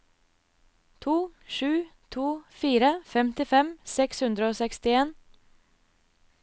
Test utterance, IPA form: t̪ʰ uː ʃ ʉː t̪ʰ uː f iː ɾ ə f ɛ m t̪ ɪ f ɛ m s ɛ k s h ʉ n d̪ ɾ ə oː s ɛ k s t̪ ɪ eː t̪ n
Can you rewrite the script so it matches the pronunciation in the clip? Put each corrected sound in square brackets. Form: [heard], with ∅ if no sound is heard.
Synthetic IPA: t̪ʰ uː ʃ ʉː t̪ʰ uː f iː ɾ ə f ɛ m t̪ ɪ f ɛ m s ɛ k s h ʉ n d̪ ɾ ə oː s ɛ k s t̪ ɪ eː [∅] n